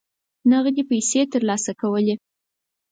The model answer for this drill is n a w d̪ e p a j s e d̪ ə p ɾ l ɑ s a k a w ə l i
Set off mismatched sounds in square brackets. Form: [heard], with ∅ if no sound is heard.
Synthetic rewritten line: n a [ɣ] d̪ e p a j s e [t̪] ə [∅] ɾ l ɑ s a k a w ə l [e]